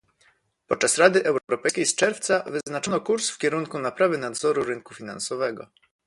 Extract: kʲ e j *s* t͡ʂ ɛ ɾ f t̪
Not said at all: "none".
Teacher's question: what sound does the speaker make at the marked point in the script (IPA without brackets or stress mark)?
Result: s